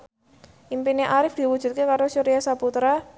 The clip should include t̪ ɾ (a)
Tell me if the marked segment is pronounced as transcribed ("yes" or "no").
yes